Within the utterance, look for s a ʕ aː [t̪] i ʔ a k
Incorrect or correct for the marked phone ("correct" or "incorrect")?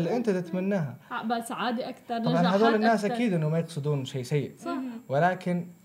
incorrect